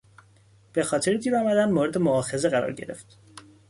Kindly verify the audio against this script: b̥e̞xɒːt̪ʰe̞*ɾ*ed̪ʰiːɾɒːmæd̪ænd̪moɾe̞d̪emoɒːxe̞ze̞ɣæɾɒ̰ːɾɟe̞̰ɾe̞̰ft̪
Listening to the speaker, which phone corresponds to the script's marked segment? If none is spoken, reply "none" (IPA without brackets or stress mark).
ɾ